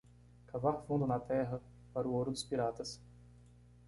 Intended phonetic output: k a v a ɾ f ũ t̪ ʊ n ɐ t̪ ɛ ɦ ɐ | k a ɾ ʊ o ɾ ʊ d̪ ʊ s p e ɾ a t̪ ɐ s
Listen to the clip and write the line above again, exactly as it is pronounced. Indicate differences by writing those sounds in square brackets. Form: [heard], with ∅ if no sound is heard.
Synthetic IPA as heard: k a v a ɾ f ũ [d̪] ʊ n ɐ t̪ ɛ ɦ ɐ | [p] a ɾ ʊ o ɾ ʊ d̪ ʊ s p [i] ɾ a t̪ ɐ s